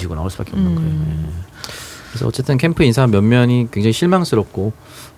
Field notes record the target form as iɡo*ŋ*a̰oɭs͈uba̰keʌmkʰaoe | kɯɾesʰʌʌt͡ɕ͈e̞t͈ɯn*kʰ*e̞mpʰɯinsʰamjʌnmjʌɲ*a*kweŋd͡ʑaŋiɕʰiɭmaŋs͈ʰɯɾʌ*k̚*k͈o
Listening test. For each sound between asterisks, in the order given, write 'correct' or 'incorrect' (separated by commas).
incorrect, correct, incorrect, incorrect